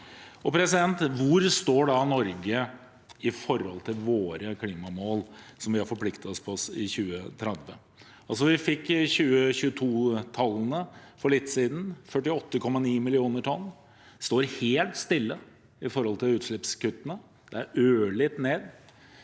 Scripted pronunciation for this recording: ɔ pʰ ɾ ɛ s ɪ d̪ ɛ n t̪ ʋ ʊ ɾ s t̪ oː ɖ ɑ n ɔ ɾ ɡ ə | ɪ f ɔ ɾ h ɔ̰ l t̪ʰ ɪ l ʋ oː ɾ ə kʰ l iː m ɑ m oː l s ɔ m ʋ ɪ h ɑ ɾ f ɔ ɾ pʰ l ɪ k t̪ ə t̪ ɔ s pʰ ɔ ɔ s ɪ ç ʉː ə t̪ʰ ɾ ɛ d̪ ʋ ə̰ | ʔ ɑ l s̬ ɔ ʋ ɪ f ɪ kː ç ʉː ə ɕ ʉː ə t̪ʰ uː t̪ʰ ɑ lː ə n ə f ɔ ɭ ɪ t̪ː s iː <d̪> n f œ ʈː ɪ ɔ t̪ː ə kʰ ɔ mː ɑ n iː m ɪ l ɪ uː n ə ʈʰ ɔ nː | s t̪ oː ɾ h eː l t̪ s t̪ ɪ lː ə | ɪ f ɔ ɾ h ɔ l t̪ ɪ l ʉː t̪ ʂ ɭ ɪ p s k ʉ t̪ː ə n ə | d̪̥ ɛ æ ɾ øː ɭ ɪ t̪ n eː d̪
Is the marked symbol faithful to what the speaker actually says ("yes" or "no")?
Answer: yes